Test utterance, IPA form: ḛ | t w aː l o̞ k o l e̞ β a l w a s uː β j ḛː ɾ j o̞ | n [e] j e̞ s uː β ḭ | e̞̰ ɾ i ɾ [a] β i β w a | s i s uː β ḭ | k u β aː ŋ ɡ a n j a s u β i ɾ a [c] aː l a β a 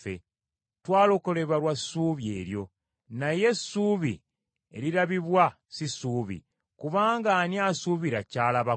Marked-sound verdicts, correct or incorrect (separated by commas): incorrect, correct, correct